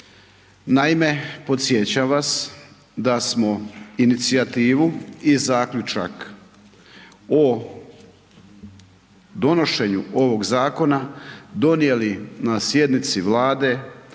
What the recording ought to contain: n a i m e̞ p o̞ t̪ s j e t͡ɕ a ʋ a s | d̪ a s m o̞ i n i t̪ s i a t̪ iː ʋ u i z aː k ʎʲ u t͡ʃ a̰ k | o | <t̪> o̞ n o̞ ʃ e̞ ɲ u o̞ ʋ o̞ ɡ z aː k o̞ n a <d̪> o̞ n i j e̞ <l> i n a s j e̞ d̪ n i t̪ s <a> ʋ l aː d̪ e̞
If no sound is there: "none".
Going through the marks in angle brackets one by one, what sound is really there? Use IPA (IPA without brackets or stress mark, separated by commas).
d̪, d̪, l, i